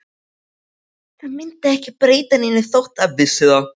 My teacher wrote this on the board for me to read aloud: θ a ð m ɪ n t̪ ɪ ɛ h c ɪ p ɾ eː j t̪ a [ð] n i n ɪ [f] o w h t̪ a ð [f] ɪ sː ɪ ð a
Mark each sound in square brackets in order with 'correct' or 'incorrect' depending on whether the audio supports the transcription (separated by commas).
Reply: incorrect, incorrect, incorrect